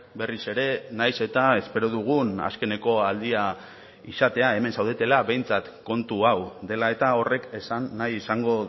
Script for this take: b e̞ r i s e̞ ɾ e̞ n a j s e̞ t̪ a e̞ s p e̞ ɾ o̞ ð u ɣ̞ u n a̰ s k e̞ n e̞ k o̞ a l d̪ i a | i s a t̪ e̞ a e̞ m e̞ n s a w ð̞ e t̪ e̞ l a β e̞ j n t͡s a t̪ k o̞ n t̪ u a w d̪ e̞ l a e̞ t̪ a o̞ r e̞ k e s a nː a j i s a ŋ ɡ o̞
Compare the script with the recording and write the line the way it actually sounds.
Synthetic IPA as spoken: b e̞ r i s e̞ ɾ e̞ n a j s e̞ t̪ a e̞ s p e̞ ɾ o̞ ð u ɣ̞ u n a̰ s k e̞ n e̞ k o̞ a l d̪ i a | i s a t̪ e̞ a e̞ m e̞ n s a w ð̞ e t̪ e̞ l a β e̞ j n t͡s a t̪ k o̞ n t̪ u a w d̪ e̞ l a e̞ t̪ a o̞ r e̞ k e s a nː a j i s a ŋ ɡ o̞

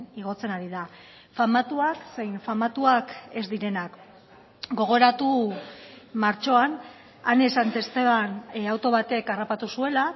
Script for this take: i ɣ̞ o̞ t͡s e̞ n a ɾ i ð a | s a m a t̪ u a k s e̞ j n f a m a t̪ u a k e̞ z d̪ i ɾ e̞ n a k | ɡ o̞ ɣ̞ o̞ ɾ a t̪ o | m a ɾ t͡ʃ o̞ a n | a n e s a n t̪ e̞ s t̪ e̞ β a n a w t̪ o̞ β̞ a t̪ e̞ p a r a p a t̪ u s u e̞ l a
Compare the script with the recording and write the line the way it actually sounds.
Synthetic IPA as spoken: i ɣ̞ o̞ t͡s e̞ n a ɾ i ð a | f a m a t̪ u a k s e̞ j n f a m a t̪ u a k e̞ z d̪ i ɾ e̞ n a k | ɡ o̞ ɣ̞ o̞ ɾ a t̪ u | m a ɾ t͡ʃ o̞ a n | a n e s a n t̪ e̞ s t̪ e̞ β a n a w t̪ o̞ β̞ a t̪ e̞ k a r a p a t̪ u s u e̞ l a

